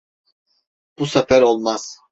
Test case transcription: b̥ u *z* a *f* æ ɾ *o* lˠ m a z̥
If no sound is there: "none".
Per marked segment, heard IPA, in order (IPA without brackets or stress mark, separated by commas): s, f, o